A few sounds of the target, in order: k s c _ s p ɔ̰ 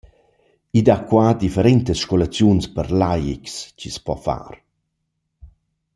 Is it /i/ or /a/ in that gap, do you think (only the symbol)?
i